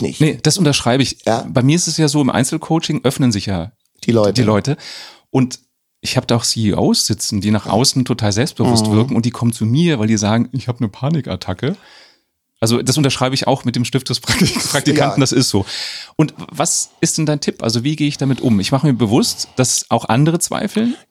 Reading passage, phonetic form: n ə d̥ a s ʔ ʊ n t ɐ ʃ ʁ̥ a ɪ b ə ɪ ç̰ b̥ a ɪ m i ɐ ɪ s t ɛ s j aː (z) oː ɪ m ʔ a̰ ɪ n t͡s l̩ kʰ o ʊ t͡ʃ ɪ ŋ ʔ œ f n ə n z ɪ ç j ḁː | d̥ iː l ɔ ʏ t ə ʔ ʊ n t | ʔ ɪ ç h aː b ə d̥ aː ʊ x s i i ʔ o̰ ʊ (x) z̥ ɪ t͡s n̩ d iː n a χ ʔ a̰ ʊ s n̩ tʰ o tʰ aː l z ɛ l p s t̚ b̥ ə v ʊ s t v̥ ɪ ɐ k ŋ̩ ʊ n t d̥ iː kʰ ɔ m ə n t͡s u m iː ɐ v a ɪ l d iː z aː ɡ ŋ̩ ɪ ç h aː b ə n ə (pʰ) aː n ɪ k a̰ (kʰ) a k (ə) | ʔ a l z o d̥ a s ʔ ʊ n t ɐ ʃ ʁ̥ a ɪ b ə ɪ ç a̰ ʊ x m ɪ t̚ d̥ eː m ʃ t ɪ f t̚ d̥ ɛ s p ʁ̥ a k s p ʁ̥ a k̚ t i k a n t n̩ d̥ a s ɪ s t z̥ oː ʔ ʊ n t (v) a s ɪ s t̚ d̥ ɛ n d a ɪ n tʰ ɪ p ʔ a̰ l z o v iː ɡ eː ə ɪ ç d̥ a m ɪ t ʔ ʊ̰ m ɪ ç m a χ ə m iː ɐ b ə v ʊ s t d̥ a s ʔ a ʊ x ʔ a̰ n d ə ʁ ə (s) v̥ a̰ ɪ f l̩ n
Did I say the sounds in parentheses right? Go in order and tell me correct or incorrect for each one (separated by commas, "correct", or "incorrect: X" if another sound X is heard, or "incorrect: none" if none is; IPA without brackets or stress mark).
correct, incorrect: s, correct, incorrect: tʰ, correct, correct, incorrect: t͡s